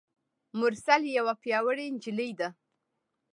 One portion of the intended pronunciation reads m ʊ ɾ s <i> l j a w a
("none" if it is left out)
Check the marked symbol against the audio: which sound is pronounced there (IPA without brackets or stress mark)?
a